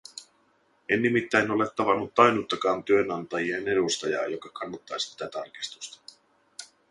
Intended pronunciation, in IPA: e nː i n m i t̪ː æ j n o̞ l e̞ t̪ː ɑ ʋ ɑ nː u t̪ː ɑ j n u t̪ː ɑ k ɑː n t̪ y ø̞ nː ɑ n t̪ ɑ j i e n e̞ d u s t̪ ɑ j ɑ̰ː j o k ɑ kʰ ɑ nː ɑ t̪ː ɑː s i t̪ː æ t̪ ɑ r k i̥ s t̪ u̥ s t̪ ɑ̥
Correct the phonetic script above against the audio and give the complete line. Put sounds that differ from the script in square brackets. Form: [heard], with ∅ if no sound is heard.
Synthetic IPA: e nː i [∅] m i t̪ː æ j n o̞ l e̞ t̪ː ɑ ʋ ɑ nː u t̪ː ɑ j n u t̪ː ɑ k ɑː n t̪ y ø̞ [n] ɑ n t̪ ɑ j i e n e̞ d u s t̪ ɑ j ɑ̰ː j o k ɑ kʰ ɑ nː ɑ t̪ː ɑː s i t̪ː æ t̪ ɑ r k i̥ s t̪ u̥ s t̪ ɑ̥